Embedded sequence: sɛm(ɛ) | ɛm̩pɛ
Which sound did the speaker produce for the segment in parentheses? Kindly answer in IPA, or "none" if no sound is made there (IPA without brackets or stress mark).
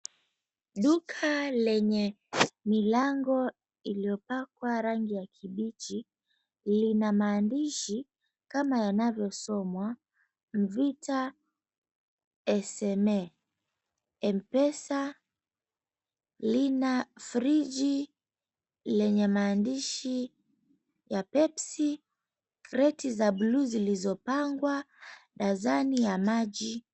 ɛ